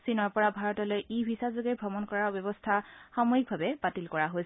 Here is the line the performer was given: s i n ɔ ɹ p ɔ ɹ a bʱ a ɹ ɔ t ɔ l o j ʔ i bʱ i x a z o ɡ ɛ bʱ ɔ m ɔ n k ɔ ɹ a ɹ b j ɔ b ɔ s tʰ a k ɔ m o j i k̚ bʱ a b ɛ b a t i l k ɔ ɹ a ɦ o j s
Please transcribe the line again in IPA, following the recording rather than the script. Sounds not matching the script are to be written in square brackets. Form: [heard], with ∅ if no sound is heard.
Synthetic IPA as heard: s i n ɔ ɹ p ɔ ɹ a bʱ a ɹ ɔ t ɔ l o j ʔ i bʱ i [s] a z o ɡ ɛ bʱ ɔ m ɔ n k ɔ ɹ a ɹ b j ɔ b ɔ s tʰ a [x] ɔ m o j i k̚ bʱ a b ɛ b a t i l k ɔ ɹ a ɦ o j s